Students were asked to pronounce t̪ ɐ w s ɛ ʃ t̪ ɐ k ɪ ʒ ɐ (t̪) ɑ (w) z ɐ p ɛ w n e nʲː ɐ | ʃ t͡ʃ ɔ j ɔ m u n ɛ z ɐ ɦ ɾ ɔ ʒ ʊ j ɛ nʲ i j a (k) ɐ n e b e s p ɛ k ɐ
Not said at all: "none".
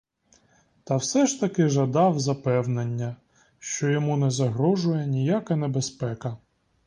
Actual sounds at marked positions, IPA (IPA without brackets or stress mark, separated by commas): d̪, w, k